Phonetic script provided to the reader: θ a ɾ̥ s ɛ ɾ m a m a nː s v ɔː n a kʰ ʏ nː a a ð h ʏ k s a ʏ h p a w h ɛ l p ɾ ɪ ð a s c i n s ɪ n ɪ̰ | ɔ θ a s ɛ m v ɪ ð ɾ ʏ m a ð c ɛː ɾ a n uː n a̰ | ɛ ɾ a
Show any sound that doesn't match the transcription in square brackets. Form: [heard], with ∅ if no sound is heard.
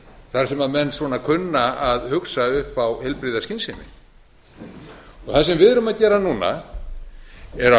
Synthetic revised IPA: θ a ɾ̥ s ɛ [∅] m a m [ɛ] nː s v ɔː n a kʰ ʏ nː a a ð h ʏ k s a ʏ h p a w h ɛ l p ɾ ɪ ð a s c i n s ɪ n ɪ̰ | ɔ θ a s ɛ m v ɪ ð ɾ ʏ m a ð c ɛː ɾ a n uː n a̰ | ɛ ɾ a